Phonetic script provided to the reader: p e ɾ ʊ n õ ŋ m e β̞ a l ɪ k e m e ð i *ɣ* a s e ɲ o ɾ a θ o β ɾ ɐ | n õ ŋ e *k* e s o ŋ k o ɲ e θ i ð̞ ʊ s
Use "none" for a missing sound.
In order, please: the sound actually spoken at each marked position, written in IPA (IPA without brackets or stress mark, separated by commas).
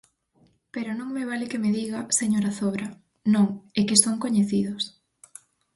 ɣ, k